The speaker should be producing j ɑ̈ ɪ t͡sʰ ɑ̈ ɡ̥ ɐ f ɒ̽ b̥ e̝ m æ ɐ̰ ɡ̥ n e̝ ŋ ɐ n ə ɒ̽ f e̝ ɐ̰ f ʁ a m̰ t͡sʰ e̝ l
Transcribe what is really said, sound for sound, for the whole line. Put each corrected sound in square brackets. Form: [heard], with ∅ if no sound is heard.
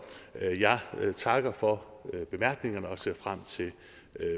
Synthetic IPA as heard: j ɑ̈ ɪ t͡sʰ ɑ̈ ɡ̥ ɐ f ɒ̽ b̥ e̝ m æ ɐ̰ ɡ̥ n e̝ ŋ ɐ n ə ɒ̽ [s] e̝ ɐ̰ f ʁ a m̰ t͡sʰ e̝ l